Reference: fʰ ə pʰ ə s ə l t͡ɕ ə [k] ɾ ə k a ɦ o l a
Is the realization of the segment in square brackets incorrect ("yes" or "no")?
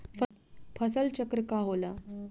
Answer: no